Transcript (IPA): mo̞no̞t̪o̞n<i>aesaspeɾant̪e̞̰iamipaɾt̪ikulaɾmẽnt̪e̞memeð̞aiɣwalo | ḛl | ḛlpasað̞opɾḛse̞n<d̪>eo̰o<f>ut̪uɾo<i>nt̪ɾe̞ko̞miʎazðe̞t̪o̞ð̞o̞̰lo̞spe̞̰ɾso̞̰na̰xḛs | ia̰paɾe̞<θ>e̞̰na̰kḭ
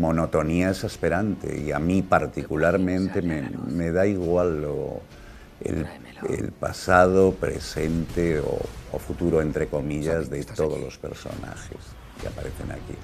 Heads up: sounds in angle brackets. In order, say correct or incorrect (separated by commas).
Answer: correct, incorrect, correct, incorrect, correct